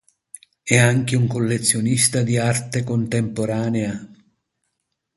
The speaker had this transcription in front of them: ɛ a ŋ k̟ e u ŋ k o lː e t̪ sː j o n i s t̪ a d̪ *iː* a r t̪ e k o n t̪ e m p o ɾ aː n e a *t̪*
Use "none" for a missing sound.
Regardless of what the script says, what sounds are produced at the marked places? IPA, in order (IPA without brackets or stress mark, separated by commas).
i, none